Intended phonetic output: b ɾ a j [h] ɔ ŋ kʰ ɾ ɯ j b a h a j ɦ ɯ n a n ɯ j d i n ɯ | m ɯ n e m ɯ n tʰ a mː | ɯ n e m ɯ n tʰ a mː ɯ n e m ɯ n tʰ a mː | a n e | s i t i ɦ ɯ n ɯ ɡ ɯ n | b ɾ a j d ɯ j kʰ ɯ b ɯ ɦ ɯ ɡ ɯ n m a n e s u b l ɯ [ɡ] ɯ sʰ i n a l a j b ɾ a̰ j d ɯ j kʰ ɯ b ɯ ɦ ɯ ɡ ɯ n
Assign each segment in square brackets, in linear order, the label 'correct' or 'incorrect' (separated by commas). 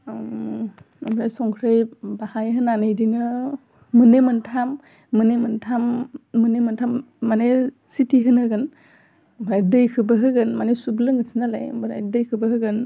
incorrect, incorrect